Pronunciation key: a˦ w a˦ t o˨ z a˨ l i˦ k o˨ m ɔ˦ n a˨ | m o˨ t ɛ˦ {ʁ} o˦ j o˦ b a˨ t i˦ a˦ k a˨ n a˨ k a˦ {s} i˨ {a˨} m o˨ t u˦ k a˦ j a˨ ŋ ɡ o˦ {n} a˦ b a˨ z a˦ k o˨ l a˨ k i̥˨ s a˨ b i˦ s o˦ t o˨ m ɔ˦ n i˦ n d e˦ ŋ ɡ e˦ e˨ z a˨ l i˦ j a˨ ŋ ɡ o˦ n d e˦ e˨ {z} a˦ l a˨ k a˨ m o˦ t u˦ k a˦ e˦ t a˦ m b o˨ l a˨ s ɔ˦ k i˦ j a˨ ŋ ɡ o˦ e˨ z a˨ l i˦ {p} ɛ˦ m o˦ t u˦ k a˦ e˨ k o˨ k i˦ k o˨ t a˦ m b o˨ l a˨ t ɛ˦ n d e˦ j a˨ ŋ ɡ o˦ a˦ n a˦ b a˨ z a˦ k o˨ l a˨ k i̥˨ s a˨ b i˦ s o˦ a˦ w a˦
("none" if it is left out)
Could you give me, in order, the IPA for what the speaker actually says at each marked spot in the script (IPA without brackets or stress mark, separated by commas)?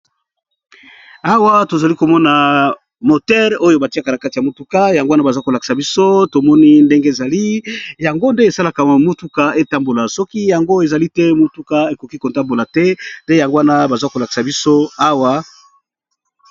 ʁ, t, a˨, n, s, t